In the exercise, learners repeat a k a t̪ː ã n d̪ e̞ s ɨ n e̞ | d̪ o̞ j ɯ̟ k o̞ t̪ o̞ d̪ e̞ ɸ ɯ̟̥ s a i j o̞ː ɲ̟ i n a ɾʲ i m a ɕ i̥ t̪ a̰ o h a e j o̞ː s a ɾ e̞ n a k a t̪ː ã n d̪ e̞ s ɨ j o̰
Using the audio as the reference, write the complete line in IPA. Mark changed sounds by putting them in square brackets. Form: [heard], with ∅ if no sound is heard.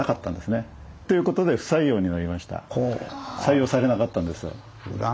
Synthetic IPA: a k a t̪ː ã n d̪ e̞ s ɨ n e̞ | [t̪] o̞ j ɯ̟ k o̞ t̪ o̞ d̪ e̞ ɸ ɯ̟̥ s a i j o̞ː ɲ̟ i n a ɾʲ i m a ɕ i̥ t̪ a̰ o [s] a [i] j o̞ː s a ɾ e̞ n a k a t̪ː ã n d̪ e̞ s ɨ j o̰